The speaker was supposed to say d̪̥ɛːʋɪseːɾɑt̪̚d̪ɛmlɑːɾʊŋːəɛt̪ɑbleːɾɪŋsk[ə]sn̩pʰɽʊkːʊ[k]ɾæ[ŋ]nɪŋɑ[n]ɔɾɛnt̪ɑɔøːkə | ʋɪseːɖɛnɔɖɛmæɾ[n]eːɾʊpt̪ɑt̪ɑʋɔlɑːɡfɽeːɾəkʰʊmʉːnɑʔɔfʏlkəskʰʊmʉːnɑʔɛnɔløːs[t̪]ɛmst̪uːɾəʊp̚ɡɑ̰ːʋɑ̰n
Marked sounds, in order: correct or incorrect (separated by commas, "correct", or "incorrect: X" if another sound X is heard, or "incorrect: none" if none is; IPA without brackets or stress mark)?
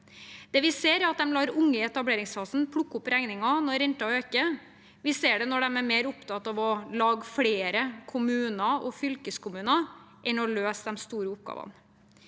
incorrect: ɑ, incorrect: p, correct, correct, incorrect: m, incorrect: d̪